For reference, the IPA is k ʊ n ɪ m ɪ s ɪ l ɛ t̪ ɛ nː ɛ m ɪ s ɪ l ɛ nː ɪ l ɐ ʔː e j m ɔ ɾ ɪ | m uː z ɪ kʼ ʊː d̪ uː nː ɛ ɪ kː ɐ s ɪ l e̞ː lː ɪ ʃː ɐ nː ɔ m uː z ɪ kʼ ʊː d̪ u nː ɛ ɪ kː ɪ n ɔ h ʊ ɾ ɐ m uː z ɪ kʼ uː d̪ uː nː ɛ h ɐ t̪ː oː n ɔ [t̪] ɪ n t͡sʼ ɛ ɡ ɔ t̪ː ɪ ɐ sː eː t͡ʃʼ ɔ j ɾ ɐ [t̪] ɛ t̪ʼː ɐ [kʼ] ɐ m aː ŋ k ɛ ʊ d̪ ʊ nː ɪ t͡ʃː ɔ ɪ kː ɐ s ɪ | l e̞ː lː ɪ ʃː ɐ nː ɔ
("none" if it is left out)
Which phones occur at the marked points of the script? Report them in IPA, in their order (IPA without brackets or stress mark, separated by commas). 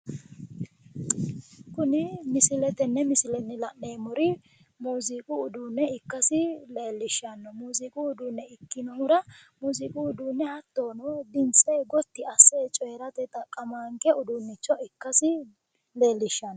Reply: d̪, t̪, kʼ